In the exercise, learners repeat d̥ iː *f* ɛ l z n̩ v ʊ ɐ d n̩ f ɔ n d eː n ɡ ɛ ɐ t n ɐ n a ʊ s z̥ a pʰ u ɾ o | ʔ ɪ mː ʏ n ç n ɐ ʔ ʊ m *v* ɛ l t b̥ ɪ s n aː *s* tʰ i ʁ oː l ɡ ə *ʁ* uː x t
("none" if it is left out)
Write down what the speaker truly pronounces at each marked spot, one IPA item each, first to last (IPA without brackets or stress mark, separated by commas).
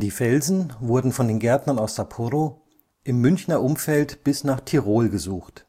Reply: f, f, χ, z